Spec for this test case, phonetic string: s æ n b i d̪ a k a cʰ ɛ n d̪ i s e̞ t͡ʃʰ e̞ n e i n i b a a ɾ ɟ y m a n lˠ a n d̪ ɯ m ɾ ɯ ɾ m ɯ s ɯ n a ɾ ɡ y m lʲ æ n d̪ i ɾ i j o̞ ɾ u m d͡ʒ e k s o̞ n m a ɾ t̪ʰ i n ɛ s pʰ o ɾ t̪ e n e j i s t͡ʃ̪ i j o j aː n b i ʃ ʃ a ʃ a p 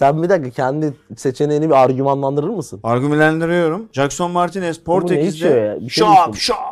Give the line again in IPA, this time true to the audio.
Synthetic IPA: s æ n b i d̪ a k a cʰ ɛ n d̪ i s e̞ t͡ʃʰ e̞ n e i n i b i a ɾ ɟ y m a n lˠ a n d̪ ɯ ɾ ɯ ɾ m ɯ s ɯ n a ɾ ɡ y m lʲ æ n d̪ i ɾ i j o̞ ɾ u m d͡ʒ a k s o̞ n m a ɾ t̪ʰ i n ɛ s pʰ o ɾ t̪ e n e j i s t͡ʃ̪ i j o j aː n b i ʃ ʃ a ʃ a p